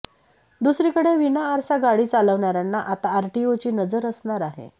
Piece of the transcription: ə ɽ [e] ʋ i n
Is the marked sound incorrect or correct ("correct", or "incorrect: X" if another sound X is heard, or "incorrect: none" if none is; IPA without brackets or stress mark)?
correct